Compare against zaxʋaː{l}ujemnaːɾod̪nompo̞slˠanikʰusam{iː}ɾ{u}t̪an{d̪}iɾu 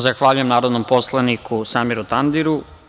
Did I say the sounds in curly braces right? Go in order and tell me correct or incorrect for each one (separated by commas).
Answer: incorrect, incorrect, correct, correct